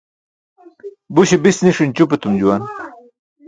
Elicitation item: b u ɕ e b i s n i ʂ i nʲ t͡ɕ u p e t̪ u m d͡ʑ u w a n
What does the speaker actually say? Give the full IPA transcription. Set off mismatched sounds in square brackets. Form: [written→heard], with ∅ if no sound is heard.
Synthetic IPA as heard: b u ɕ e b i s n i ʂ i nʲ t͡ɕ u p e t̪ u m d͡ʑ u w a n